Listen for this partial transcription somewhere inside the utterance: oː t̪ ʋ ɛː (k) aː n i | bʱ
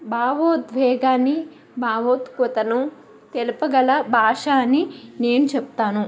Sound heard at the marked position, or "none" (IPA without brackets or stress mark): ɡ